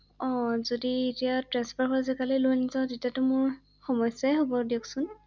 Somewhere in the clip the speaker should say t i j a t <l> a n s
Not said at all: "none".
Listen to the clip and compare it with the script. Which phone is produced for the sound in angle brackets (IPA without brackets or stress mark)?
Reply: ɹ